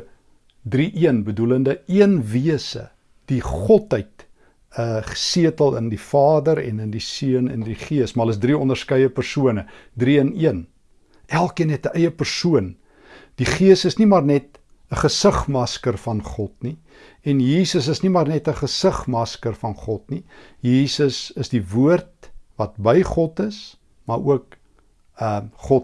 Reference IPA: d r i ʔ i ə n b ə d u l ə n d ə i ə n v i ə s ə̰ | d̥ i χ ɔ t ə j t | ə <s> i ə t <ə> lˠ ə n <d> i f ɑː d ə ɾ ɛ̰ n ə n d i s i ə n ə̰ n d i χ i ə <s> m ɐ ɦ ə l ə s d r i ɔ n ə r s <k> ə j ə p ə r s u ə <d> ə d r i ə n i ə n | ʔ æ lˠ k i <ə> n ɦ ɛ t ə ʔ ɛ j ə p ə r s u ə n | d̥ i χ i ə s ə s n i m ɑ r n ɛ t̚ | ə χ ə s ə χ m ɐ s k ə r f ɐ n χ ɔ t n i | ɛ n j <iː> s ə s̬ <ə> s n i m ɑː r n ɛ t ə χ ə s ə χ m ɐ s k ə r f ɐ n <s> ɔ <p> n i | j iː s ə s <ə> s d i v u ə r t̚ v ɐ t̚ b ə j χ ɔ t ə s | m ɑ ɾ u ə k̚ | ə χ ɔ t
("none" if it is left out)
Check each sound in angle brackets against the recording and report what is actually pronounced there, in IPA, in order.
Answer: s, ə, d, s, k, n, ə, iː, ə, χ, t, ə

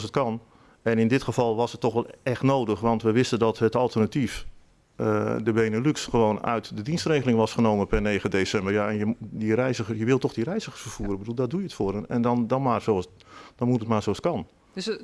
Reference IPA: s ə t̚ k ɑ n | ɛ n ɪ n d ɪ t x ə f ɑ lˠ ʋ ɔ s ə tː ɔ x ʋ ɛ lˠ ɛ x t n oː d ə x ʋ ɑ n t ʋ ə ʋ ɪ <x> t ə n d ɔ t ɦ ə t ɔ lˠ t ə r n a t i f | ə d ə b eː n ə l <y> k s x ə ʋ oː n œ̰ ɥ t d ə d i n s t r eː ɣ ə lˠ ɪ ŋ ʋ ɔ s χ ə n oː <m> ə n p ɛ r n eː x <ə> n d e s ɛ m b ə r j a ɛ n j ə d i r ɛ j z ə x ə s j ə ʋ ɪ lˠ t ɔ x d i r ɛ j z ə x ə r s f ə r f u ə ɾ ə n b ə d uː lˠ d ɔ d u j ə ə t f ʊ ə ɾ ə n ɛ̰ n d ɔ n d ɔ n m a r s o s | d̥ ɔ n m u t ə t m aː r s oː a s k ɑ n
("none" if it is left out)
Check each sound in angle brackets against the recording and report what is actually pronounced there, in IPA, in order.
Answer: s, y, m, ə

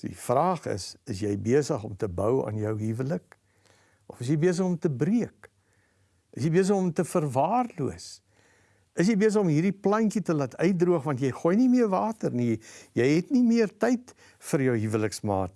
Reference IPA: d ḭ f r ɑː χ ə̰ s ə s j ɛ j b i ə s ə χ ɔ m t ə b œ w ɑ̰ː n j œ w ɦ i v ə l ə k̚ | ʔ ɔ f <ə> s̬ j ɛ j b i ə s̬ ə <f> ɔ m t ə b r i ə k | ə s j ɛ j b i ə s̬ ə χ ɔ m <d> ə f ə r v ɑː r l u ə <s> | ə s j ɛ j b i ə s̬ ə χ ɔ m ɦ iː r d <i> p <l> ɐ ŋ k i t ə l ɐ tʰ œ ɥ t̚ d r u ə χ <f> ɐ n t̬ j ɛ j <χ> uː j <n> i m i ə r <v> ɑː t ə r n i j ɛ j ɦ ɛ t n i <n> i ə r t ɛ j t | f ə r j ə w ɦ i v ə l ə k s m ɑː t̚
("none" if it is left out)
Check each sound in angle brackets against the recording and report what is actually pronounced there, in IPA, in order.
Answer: ə, χ, t, s, i, l, v, χ, n, v, m

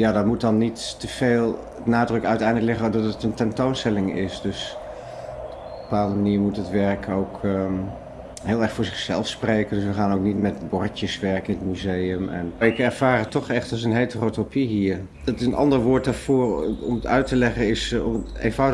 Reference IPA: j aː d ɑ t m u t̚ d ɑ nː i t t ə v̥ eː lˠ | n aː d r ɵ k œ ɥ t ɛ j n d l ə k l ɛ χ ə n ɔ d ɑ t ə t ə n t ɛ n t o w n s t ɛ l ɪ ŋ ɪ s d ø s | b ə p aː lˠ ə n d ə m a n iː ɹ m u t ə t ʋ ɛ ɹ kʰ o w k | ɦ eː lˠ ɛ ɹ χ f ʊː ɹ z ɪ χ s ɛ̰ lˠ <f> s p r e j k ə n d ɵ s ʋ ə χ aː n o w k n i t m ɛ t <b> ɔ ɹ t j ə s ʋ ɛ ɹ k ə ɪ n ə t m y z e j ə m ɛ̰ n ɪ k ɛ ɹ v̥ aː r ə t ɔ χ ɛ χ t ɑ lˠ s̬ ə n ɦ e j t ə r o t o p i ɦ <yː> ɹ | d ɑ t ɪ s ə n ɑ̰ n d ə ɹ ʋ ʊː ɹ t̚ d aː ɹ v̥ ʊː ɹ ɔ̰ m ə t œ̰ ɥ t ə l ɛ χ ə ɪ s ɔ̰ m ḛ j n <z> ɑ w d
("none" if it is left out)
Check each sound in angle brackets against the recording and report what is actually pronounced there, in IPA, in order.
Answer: f, b, iː, v

